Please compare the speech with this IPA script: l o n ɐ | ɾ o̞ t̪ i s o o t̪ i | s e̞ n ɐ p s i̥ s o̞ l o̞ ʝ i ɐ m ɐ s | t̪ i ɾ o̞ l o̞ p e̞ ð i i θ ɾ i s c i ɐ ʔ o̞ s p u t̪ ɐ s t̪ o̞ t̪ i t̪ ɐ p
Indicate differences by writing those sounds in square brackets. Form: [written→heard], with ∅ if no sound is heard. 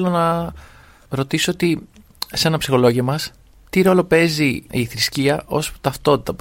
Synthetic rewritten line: l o n ɐ | ɾ o̞ t̪ i s o o t̪ i | s e̞ n ɐ p s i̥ [s→x] o̞ l o̞ ʝ i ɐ m ɐ s | t̪ i ɾ o̞ l o̞ p e̞ [ð→z] i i θ ɾ i s c i ɐ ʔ o̞ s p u t̪ ɐ [s→f] t̪ o̞ t̪ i t̪ ɐ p